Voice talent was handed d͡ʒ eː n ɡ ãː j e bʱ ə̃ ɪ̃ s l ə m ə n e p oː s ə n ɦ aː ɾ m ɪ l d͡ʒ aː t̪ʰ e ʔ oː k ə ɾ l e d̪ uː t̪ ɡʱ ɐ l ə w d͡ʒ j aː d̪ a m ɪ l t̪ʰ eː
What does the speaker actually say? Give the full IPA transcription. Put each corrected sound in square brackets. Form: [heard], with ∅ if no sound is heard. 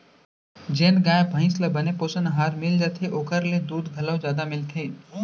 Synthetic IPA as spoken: d͡ʒ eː n ɡ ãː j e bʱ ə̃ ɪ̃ s l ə [b] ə n e p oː s ə n ɦ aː ɾ m ɪ l d͡ʒ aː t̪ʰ e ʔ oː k ə ɾ l e d̪ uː [d̪] ɡʱ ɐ l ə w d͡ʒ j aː d̪ a m ɪ l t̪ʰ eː